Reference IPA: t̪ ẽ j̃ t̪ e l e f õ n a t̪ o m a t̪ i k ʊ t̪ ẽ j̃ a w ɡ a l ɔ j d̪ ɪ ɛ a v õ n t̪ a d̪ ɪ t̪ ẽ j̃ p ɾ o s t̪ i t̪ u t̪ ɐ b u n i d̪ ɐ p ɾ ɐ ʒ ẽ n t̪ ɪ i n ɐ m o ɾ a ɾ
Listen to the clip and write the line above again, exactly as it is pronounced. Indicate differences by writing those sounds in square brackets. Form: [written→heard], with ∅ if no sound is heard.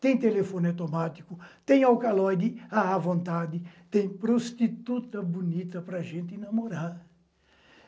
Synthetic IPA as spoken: t̪ ẽ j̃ t̪ e l e f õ n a t̪ o m a t̪ i k ʊ t̪ ẽ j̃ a w [ɡ→k] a l ɔ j d̪ ɪ [ɛ→a] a v õ n t̪ a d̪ ɪ t̪ ẽ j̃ p ɾ o s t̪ i t̪ u t̪ ɐ b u n i [d̪→t̪] ɐ p ɾ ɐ ʒ ẽ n t̪ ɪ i n ɐ m o ɾ a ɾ